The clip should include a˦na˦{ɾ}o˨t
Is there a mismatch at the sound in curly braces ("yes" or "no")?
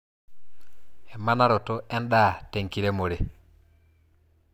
no